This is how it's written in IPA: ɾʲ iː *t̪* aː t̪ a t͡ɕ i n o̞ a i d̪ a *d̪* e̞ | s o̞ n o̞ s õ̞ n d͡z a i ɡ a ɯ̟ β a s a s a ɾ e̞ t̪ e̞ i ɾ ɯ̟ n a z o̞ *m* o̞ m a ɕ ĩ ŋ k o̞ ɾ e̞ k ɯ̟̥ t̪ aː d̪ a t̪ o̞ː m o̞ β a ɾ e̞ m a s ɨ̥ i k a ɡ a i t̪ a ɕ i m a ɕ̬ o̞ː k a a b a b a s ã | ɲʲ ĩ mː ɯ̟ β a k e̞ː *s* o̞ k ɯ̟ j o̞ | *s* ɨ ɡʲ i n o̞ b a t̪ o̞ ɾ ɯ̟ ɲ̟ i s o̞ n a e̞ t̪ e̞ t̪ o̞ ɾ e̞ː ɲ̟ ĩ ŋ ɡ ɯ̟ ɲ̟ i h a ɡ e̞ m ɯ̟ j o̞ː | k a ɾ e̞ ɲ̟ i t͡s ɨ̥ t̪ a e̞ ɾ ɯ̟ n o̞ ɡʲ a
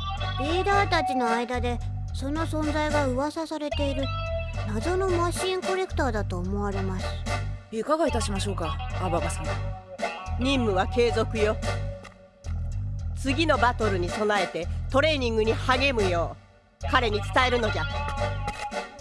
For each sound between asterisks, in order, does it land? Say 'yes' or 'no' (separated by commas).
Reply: no, yes, no, no, no